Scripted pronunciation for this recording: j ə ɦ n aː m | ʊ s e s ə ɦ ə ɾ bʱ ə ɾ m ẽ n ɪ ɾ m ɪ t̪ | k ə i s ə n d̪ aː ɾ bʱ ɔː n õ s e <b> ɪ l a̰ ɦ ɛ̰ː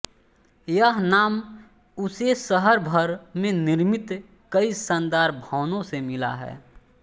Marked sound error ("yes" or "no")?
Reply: yes